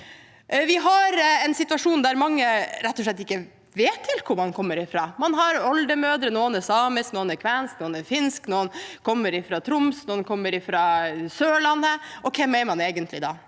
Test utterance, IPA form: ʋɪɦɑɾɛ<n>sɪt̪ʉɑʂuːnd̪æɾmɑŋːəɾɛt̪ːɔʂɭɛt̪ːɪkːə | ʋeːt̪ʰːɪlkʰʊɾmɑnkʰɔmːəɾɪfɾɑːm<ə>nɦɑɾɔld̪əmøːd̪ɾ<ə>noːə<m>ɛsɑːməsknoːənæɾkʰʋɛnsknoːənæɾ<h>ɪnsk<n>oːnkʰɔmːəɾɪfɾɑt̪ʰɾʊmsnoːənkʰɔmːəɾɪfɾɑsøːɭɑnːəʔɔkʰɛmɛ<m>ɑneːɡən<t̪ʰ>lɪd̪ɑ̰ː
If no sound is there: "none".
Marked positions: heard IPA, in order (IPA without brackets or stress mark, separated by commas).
n, ɑ, ə, n, f, n, m, t̪